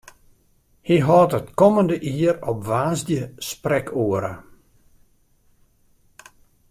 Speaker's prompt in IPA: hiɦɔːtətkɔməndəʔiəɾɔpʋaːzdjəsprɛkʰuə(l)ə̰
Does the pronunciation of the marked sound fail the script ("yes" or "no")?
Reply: yes